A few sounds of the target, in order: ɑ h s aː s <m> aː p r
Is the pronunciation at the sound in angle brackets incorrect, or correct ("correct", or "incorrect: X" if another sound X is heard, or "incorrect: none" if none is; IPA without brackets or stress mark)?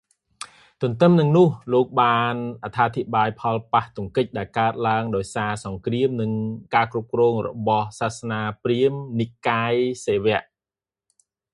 incorrect: n